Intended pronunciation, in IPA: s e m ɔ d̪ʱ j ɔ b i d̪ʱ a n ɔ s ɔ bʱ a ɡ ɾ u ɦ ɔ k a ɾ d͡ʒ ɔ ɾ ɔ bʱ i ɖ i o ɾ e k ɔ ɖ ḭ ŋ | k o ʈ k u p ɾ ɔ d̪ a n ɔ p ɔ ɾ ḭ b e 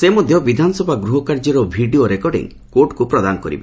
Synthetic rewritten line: s e m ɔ d̪ʱ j ɔ b i d̪ʱ a n ɔ s ɔ bʱ a ɡ ɾ u ɦ ɔ k a ɾ d͡ʒ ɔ ɾ ɔ bʱ i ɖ i o ɾ e k ɔ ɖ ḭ ŋ | k o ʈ k u p ɾ ɔ d̪ a n ɔ k ɔ ɾ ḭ b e